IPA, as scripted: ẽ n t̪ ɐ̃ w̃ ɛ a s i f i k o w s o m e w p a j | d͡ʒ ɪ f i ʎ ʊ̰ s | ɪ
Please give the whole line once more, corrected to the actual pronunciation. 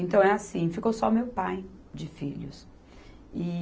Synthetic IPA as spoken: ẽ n t̪ ɐ̃ w̃ ɛ a s ĩ f i k o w s ɔ m e w p a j | d͡ʒ ɪ f i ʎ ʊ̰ s | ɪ